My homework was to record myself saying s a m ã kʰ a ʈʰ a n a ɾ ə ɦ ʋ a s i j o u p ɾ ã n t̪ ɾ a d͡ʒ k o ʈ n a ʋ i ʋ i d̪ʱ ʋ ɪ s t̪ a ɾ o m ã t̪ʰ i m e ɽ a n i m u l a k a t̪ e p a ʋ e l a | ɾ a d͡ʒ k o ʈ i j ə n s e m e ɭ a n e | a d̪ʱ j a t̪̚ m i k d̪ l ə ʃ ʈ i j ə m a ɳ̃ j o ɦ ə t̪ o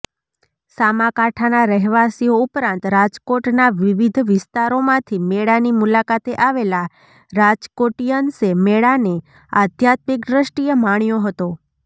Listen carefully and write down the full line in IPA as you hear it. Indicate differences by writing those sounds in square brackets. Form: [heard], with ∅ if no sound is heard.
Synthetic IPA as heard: s a m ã [k] a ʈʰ a n a ɾ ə ɦ ʋ a s i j o u p ɾ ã n t̪ ɾ a d͡ʒ k o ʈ n a ʋ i ʋ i d̪ʱ ʋ ɪ s t̪ a ɾ o m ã t̪ʰ i m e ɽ a n i m u l a k a t̪ e [ʔ] a ʋ e l a | ɾ a d͡ʒ k o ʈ i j ə n s e m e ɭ a n e | a d̪ʱ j a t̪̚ m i k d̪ [ɾ] ə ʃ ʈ i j ə m a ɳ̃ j o ɦ ə t̪ o